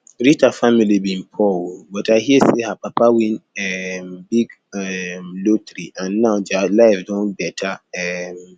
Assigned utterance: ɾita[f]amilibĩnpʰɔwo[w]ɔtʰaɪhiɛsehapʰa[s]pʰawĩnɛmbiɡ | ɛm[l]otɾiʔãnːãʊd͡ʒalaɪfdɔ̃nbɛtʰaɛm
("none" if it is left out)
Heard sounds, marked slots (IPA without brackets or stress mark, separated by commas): f, b, none, l